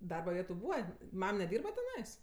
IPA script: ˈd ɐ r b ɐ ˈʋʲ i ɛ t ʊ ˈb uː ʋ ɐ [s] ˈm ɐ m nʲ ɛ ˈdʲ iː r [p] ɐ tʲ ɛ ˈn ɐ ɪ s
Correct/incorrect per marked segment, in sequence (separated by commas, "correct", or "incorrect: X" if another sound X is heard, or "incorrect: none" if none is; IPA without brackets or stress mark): incorrect: none, incorrect: b